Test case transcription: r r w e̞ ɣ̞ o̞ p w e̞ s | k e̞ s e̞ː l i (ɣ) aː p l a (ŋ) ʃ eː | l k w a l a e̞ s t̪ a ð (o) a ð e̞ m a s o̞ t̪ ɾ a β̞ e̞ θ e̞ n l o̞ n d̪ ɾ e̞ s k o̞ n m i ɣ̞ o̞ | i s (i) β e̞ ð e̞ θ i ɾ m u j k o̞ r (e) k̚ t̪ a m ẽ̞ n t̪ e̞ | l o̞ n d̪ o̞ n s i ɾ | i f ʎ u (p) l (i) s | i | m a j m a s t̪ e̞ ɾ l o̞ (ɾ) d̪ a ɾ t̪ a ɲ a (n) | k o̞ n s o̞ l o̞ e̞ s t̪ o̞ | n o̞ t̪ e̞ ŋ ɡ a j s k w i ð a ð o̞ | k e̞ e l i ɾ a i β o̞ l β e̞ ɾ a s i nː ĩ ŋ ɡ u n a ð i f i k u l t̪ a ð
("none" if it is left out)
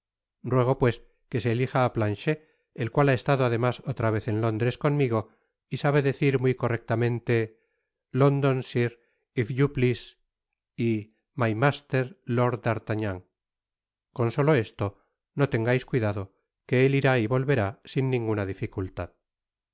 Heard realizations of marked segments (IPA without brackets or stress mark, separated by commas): x, n, o, a, e, p, i, ɾ, ŋ